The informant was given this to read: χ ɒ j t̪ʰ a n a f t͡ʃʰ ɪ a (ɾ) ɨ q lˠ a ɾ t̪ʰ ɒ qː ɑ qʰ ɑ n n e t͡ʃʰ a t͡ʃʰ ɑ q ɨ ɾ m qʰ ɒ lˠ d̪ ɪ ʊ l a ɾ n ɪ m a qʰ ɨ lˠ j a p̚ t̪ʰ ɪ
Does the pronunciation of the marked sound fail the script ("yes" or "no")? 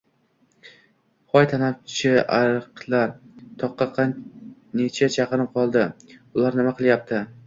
no